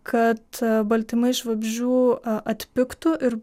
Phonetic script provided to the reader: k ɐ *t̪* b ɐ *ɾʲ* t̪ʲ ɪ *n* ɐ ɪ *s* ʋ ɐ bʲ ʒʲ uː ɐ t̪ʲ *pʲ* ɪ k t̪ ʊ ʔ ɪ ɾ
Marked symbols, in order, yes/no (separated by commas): yes, no, no, no, yes